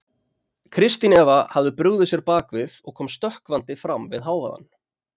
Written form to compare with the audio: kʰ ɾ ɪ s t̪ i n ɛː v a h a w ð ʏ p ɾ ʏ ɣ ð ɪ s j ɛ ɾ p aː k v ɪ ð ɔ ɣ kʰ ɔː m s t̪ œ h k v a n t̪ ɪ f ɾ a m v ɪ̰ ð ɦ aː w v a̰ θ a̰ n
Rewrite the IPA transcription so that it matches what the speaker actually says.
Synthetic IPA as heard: kʰ ɾ ɪ s t̪ i n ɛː v a h a v ð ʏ p ɾ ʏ ɣ ð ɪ s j ɛ ɾ p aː k v ɪ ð ɔ ɣ kʰ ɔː m s t̪ œ h k v a n t̪ ɪ f ɾ a m v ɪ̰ ð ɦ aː w v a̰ ð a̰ n

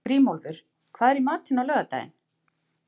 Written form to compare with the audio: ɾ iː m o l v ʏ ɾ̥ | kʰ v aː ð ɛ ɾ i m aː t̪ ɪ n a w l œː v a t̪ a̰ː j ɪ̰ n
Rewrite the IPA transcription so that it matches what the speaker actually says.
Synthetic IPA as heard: ɾ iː m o l v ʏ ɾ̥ | kʰ v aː ð ɛ ɾ i m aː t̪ ɪ n a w l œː ɣ a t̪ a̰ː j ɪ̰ n

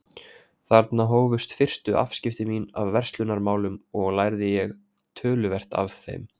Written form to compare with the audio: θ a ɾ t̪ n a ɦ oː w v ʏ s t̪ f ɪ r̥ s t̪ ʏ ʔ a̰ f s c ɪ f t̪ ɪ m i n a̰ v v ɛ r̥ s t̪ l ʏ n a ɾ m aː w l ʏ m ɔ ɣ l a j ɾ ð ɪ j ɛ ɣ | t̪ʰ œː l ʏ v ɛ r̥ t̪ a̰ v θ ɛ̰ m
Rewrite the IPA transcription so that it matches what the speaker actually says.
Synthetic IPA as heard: θ a ɾ t̪ n a ɦ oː w v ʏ s t̪ f ɪ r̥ s t̪ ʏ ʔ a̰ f s c ɪ f t̪ ɪ m i n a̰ v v ɛ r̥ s t̪ l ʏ n a ɾ m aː w l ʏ m ɔ ɣ l a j ɾ ð ɪ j ɛ ɣ | t̪ʰ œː l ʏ v ɛ r̥ t̪ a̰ v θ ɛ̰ m

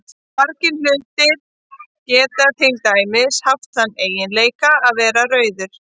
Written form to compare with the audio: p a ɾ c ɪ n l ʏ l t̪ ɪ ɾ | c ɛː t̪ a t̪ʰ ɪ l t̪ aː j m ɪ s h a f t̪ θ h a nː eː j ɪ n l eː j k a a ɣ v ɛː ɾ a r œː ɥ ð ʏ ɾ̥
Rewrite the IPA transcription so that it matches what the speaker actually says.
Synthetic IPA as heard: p a ɾ c ɪ n l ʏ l t̪ ɪ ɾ | c ɛː t̪ a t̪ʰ ɪ l t̪ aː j m ɪ s h a f t̪ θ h a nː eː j ɪ n l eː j k a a ð v ɛː ɾ a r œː ɥ ð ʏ ɾ̥

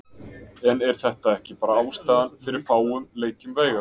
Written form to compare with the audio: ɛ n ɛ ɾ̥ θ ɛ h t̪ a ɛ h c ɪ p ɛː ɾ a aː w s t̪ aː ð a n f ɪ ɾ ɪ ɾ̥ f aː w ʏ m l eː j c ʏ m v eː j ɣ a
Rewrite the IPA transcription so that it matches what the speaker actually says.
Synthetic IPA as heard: ɛ n ɛ ɾ̥ θ ɛ h t̪ a ɛ h c ɪ p aː ɾ a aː w s t̪ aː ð a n f ɪ ɾ ɪ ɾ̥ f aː w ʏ m l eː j c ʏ m v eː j ɣ a

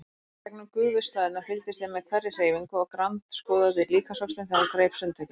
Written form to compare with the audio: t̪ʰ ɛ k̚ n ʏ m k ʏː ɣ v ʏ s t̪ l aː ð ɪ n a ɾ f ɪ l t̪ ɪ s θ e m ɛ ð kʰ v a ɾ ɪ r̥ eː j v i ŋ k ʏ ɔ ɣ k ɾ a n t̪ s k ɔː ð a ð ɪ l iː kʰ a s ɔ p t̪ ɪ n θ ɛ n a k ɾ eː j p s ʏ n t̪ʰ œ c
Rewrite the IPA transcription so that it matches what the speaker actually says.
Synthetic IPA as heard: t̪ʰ ɛ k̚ n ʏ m k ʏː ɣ v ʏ s t̪ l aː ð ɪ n a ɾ f ɪ l t̪ ɪ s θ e m ɛ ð kʰ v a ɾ ɪ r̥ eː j v i ŋ k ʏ ɔ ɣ k ɾ a n t̪ s k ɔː ð a ð ɪ l iː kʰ a s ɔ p t̪ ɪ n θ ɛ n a k ɾ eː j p s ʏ n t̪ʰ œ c

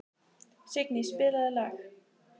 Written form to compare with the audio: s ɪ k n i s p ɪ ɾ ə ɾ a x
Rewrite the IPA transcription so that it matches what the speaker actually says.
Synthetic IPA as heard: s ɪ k n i s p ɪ l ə l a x

